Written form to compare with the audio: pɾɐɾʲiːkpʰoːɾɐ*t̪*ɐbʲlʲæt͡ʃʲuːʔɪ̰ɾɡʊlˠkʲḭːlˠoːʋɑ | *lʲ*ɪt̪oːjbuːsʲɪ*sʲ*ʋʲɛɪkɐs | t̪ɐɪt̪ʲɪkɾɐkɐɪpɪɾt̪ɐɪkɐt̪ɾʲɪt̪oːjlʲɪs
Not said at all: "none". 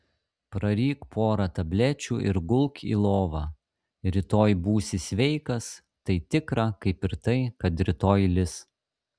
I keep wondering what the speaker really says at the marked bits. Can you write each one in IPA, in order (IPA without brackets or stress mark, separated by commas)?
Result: t̪, ɾʲ, sʲ